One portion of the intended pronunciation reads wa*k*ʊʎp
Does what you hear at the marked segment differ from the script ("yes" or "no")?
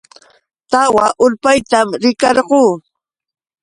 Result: yes